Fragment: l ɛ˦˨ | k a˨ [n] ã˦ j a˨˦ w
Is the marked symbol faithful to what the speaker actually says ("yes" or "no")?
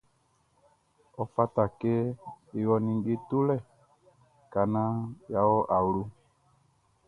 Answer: yes